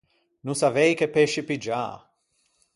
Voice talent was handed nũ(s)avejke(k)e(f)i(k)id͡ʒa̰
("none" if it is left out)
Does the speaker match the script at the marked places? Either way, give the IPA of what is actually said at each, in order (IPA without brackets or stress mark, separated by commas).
s, p, ʃ, p